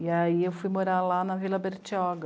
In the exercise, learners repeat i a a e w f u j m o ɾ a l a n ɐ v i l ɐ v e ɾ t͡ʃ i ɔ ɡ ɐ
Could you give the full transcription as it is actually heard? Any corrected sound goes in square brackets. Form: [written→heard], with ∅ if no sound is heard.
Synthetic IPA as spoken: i a [a→i] e w f u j m o ɾ a l a n ɐ v i l ɐ [v→b] e ɾ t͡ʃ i ɔ ɡ ɐ